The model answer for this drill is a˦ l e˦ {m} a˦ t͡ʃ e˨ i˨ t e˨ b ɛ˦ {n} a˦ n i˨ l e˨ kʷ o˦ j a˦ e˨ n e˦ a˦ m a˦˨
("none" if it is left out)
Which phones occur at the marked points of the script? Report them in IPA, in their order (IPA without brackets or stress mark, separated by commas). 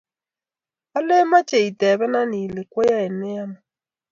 m, n